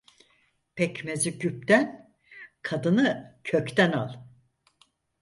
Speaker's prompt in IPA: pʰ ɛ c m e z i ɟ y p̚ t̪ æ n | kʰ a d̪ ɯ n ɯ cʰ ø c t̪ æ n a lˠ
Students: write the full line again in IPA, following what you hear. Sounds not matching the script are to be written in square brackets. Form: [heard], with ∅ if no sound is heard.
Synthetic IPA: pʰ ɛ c m e z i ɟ y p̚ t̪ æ n | kʰ a d̪ ɯ n ɯ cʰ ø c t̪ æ n a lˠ